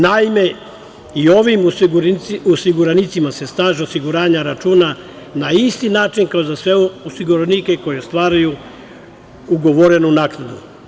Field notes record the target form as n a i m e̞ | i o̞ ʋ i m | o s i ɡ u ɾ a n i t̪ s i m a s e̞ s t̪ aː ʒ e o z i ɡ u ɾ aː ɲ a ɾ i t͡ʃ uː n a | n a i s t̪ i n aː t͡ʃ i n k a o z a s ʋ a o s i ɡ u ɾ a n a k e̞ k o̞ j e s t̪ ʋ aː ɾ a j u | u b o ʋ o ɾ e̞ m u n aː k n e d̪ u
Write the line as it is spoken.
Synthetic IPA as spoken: n a i m e̞ | i o̞ ʋ i m | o s i ɡ u ɾ a n i t̪ s i m a s e̞ s t̪ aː ʒ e o s i ɡ u ɾ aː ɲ a ɾ a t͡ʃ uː n a | n a i s t̪ i n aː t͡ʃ i n k a o z a s ʋ e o s i ɡ u ɾ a n i k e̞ k o̞ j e s t̪ ʋ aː ɾ a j u | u ɡ o ʋ o ɾ e̞ n u n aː k n a d̪ u